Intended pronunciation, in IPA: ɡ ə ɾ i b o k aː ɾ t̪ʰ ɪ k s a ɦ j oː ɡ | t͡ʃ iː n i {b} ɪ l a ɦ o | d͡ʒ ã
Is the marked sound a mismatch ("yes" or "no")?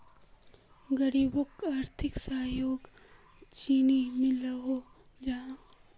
yes